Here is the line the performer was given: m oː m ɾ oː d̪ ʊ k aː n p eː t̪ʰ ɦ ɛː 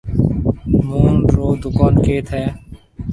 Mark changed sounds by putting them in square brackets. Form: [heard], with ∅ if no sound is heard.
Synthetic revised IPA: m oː [n] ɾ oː d̪ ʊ k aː n [k] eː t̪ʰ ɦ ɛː